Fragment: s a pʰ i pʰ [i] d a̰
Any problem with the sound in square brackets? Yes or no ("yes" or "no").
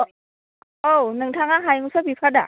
yes